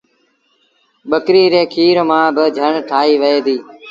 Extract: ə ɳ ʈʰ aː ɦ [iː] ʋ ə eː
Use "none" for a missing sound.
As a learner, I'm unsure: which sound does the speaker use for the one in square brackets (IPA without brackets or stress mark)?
iː